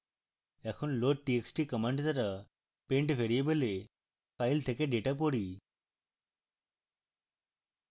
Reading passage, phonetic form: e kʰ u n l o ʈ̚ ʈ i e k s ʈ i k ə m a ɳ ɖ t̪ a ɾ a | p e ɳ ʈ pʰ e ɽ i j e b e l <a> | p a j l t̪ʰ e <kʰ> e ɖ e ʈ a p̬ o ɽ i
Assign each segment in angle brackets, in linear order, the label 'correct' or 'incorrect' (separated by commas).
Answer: incorrect, incorrect